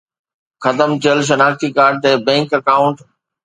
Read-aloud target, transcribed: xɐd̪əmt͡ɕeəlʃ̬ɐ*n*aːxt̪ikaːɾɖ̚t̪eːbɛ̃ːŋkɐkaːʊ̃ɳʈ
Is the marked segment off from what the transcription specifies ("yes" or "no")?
no